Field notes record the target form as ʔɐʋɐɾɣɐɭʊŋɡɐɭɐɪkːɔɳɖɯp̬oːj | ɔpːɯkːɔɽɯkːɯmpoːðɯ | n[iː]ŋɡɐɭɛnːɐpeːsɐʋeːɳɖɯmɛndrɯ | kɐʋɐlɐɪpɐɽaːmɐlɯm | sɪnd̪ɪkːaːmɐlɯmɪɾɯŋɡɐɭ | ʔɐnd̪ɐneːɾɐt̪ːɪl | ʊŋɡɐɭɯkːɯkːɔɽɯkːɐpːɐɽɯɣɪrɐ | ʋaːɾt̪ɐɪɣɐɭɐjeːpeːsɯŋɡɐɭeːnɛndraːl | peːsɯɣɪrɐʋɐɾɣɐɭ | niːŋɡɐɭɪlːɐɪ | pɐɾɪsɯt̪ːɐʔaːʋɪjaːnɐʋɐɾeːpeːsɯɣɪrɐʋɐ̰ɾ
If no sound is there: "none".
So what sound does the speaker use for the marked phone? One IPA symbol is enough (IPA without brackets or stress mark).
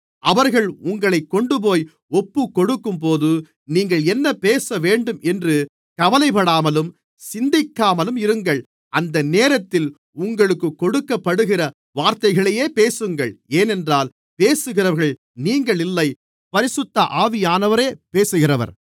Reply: iː